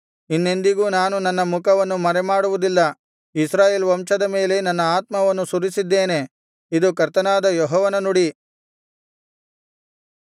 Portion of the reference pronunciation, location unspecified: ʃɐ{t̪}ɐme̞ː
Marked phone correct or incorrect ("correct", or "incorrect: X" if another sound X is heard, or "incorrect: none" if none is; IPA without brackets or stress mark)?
incorrect: d̪